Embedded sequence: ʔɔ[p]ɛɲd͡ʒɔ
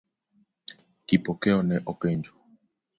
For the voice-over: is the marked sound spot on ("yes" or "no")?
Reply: no